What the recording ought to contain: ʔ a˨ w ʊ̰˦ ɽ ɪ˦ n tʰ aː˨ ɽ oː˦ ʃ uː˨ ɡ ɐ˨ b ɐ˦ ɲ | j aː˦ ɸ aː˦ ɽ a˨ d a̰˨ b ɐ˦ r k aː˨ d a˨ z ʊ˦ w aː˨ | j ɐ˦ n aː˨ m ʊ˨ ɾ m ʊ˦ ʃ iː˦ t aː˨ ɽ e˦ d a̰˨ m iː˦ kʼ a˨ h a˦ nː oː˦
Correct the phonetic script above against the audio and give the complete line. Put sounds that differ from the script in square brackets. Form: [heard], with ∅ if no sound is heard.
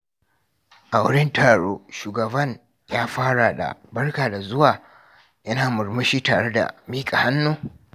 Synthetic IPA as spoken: ʔ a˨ w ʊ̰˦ ɽ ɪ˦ n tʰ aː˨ ɽ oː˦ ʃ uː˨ ɡ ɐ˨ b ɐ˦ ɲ | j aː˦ ɸ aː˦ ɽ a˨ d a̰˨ b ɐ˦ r k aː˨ d a˨ z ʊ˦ w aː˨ | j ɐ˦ n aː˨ m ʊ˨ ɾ m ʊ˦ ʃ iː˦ t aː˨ ɽ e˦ d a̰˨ m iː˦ kʼ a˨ h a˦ nː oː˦